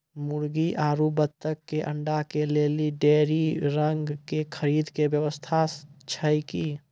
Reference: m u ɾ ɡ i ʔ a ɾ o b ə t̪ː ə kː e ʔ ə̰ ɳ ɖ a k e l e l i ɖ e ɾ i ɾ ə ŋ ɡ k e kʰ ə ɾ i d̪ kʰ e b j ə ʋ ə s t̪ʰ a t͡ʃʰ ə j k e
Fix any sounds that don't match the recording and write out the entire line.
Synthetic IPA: m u ɾ ɡ i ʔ a ɾ u b ə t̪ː ə kː e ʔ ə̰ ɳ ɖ a k e l e l i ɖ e ɾ i ɾ ə ŋ ɡ k e kʰ ə ɾ i d̪ k e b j ə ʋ ə s t̪ʰ a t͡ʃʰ ə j k i